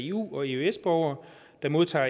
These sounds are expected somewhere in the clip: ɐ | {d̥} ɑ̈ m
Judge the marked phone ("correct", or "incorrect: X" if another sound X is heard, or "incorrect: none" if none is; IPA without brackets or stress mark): correct